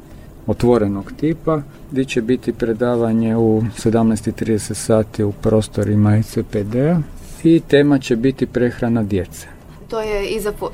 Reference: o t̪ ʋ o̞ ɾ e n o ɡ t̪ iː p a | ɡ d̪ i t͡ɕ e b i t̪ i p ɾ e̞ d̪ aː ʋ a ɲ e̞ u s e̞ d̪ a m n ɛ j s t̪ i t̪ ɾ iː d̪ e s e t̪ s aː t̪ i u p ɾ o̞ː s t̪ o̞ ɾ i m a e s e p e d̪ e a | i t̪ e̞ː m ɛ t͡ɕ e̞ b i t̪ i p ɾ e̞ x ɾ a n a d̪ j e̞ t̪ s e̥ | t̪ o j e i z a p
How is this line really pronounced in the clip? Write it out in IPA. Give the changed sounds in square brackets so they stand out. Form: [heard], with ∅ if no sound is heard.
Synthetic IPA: o t̪ ʋ o̞ ɾ e n o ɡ t̪ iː p a | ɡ d̪ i t͡ɕ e b i t̪ i p ɾ e̞ d̪ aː ʋ a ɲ e̞ u s e̞ d̪ a m n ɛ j s t̪ i t̪ ɾ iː d̪ e s e t̪ s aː t̪ i u p ɾ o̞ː s t̪ o̞ ɾ i m a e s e p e d̪ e a | i t̪ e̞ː m [a] t͡ɕ e̞ b i t̪ i p ɾ e̞ x ɾ a n a d̪ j e̞ t̪ s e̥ | t̪ o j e i z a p